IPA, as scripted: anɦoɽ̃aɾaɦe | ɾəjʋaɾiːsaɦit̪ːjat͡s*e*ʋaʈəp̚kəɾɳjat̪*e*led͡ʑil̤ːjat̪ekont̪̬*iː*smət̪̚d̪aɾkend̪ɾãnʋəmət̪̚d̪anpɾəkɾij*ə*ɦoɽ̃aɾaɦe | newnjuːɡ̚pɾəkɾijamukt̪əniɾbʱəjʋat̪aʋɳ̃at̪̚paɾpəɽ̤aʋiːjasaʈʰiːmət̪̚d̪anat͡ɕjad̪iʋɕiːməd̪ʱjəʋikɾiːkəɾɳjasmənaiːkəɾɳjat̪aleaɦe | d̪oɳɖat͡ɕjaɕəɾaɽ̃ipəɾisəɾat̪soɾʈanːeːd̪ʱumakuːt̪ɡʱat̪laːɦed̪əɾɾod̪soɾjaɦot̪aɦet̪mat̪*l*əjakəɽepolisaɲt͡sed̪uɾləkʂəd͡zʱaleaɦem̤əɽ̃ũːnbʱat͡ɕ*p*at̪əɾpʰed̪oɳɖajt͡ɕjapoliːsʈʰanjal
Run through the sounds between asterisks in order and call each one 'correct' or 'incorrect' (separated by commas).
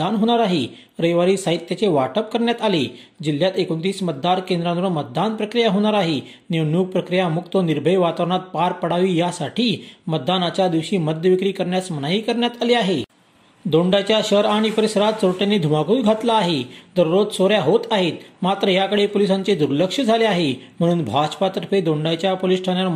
correct, incorrect, correct, incorrect, incorrect, correct